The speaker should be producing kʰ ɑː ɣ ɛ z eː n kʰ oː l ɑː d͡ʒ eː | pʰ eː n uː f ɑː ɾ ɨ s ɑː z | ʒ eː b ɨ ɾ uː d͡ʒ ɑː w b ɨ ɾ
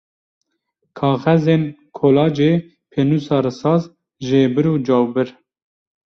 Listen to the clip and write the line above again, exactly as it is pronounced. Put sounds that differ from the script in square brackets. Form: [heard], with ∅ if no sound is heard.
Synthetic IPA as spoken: kʰ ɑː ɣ ɛ z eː n kʰ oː l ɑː d͡ʒ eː | pʰ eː n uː [s] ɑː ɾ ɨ s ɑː z | ʒ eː b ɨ ɾ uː d͡ʒ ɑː w b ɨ ɾ